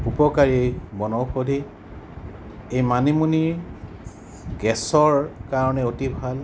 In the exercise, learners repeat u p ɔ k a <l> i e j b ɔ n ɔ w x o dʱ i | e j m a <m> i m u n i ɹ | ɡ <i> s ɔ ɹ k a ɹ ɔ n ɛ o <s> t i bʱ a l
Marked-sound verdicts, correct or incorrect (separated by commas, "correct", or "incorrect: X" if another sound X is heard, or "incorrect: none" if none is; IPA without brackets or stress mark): incorrect: ɹ, incorrect: n, incorrect: ɛ, incorrect: none